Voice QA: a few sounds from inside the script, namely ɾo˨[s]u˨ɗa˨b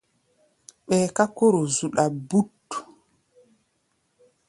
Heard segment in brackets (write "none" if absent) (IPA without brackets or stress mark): z